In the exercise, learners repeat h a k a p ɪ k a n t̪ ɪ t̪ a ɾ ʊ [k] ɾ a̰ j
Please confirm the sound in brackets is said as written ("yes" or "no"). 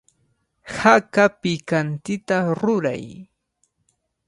no